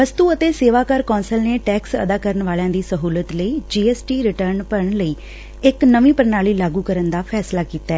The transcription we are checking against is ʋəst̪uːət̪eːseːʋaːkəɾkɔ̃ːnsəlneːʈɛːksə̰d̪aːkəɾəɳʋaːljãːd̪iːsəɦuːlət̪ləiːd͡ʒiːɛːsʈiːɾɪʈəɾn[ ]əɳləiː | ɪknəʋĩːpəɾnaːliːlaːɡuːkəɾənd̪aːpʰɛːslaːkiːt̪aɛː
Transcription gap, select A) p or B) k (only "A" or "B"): A